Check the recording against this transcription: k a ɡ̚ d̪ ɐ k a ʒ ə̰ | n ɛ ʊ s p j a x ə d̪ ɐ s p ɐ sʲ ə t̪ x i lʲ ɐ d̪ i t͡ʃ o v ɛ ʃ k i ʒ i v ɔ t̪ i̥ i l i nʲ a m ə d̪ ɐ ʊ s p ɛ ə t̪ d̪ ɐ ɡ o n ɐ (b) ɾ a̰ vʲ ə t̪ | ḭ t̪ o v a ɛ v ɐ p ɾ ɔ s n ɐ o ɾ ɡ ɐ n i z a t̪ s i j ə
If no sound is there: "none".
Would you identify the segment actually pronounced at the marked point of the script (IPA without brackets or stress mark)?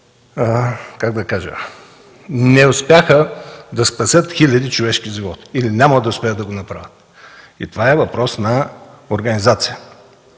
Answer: p